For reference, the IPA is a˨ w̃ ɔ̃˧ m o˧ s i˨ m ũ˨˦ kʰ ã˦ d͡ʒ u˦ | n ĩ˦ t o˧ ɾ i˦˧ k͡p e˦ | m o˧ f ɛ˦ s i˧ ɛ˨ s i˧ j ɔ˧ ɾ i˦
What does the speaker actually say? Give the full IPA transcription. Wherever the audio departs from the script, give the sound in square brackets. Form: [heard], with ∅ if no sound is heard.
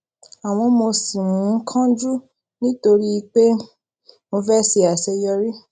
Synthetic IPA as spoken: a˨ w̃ ɔ̃˧ m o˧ s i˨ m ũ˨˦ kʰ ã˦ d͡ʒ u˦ | n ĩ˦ t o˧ ɾ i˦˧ k͡p e˦ | m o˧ f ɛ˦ s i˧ [a˨] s [ɛ˧] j ɔ˧ ɾ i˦